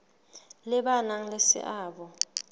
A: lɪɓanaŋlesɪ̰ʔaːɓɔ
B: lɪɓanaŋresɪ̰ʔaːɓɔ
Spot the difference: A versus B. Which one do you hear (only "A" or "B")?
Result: A